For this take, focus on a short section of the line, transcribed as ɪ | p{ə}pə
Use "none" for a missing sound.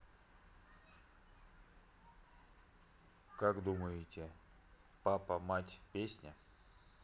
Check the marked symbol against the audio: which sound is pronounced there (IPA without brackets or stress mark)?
a